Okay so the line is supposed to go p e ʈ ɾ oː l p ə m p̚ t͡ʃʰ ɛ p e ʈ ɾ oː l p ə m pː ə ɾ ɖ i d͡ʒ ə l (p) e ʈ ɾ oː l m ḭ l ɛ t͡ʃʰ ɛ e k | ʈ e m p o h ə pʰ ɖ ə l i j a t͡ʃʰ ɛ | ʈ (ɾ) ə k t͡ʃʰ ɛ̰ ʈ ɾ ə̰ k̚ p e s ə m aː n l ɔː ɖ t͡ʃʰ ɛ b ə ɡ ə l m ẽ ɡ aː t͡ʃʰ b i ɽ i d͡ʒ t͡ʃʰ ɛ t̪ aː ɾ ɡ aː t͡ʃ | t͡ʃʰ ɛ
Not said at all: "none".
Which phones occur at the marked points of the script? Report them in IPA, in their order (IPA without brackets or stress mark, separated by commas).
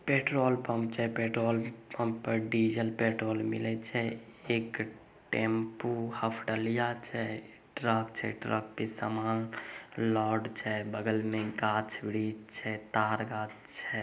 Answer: p, ɾ